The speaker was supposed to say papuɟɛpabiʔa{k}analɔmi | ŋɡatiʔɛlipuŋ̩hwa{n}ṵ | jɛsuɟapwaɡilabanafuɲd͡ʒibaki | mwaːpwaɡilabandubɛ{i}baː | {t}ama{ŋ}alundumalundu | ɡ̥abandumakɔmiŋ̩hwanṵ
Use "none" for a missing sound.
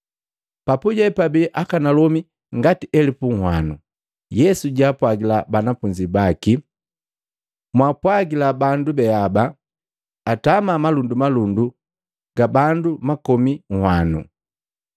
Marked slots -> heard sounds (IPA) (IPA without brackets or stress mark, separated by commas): k, n, a, t, m